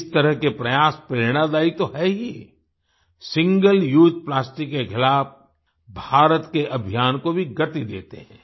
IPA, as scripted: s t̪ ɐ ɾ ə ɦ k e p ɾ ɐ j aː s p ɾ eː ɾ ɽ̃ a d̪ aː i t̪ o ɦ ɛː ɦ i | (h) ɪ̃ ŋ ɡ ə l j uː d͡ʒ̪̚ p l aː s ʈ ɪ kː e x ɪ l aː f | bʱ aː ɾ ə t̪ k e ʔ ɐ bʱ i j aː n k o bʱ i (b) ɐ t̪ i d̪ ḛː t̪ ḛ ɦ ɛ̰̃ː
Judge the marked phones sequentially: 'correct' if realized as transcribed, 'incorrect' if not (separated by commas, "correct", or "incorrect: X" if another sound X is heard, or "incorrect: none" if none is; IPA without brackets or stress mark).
incorrect: s, incorrect: ɡ